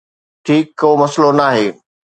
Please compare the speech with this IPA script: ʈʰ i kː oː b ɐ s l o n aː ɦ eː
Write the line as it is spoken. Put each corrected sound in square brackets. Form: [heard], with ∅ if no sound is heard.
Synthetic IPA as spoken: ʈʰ [iː] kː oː [m] ɐ s l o n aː ɦ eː